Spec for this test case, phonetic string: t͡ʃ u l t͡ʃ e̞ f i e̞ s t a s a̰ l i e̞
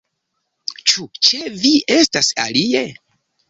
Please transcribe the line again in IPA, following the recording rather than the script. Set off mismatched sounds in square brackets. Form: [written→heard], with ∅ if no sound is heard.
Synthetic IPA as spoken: t͡ʃ u [l→∅] t͡ʃ e̞ [f→v] i e̞ s t a s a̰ l i e̞

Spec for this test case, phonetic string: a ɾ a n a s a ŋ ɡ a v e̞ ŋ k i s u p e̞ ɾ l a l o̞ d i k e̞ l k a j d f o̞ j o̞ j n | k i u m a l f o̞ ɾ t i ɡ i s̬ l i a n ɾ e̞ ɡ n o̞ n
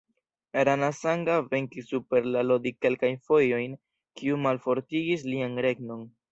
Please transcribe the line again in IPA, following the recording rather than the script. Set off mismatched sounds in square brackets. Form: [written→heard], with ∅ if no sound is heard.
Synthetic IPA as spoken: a ɾ a n a s a ŋ ɡ a v e̞ ŋ k i s u p e̞ ɾ l a l o̞ d i k e̞ l k a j [d→n] f o̞ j o̞ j n | k i u m a l f o̞ ɾ t i ɡ i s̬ l i a n ɾ e̞ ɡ n o̞ n

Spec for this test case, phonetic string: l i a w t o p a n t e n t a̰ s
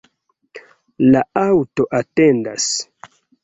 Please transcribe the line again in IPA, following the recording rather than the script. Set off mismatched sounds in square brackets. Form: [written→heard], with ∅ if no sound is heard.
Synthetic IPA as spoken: l [i→a] a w t o [p→ʔ] a [n→∅] t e n [t→d] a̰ s

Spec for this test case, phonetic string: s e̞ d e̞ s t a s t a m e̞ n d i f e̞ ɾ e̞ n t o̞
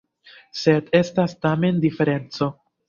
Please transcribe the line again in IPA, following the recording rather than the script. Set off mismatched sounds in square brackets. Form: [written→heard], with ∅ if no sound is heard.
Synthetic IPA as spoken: s e̞ d e̞ s t a s t a m e̞ n d i f e̞ ɾ e̞ n [t→t͡s] o̞

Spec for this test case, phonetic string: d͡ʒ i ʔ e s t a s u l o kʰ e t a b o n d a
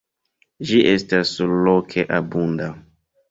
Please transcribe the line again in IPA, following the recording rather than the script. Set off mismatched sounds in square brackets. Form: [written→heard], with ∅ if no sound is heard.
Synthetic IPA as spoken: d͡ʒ i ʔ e s t a s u l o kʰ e [t→ʔ] a b [o→u] n d a

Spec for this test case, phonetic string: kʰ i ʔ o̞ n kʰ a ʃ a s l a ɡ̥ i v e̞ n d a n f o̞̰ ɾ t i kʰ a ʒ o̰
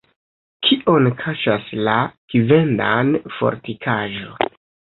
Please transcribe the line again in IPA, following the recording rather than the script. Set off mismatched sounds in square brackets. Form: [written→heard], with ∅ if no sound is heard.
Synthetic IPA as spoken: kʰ i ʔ o̞ n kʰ a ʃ a s l a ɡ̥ i v e̞ n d a n f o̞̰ ɾ t i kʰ a ʒ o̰

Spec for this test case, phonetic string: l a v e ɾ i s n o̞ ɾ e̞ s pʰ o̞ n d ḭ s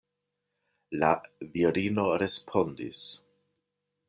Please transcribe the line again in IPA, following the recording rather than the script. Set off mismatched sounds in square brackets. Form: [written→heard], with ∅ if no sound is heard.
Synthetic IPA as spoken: l a v [e→i] ɾ i [s→∅] n o̞ ɾ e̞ s pʰ o̞ n d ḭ s

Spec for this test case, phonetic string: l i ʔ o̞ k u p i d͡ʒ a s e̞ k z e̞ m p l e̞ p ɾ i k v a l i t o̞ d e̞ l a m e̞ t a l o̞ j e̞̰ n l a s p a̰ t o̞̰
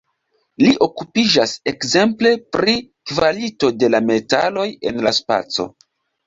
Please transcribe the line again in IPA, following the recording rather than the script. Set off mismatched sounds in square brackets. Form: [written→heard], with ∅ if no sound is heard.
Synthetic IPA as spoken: l i ʔ o̞ k u p i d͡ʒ a s e̞ k z e̞ m p l e̞ p ɾ i k v a l i t o̞ d e̞ l a m e̞ t a l o̞ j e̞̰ n l a s p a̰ [t→t͡s] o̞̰

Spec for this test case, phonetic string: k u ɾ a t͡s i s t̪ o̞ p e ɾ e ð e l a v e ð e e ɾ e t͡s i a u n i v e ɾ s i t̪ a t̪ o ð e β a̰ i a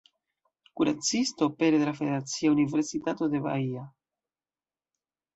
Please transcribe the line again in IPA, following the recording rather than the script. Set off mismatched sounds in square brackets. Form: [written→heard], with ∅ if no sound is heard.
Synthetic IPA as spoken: k u ɾ a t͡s i s t̪ o̞ p e ɾ e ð e l a [v→f] e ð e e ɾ [e→a] t͡s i a u n i v e ɾ s i t̪ a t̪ o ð e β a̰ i a

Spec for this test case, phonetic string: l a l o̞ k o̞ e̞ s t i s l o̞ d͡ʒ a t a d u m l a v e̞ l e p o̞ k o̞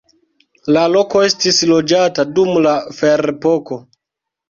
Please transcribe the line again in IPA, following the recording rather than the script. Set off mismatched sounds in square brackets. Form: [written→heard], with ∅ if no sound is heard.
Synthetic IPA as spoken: l a l o̞ k o̞ e̞ s t i s l o̞ d͡ʒ a t a d u m l a [v→f] e̞ [l→ɾ] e p o̞ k o̞

